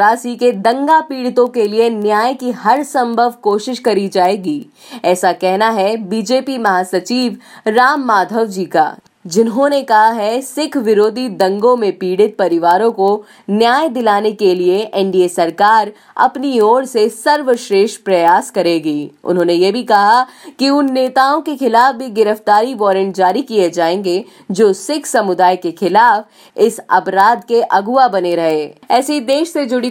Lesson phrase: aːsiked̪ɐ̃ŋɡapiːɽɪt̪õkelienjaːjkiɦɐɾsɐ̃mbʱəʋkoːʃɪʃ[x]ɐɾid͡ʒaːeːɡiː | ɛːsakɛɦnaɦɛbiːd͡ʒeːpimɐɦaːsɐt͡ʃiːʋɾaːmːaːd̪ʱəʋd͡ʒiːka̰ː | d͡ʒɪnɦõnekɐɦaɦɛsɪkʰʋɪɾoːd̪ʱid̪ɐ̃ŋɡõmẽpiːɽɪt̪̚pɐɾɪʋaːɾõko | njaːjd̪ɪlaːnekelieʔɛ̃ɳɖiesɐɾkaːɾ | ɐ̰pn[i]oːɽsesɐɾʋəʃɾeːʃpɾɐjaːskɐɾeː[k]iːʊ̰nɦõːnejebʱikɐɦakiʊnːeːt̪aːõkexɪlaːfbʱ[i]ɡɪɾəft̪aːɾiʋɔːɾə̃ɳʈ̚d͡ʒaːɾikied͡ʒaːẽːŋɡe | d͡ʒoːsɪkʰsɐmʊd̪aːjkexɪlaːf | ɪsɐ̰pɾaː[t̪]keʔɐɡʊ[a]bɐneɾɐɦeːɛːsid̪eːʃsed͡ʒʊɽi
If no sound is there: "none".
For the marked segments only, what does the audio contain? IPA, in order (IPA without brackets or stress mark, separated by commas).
k, i, ɡ, i, d̪, a